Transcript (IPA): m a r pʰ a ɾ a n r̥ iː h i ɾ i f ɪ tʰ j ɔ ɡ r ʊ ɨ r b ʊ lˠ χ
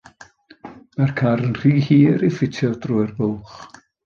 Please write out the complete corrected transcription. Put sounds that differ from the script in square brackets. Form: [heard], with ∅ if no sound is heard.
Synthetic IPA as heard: m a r [kʰ] a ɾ [ə] n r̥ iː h [iː] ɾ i f ɪ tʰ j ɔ [d] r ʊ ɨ r b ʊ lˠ χ